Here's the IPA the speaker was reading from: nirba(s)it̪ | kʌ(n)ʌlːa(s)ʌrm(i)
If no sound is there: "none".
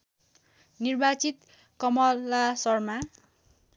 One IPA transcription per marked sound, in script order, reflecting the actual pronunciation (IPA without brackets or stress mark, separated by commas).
t͡s, m, s, a